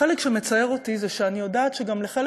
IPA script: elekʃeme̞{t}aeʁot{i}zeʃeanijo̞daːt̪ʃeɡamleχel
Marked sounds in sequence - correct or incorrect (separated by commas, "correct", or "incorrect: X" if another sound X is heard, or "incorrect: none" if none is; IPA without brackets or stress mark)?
incorrect: t͡s, correct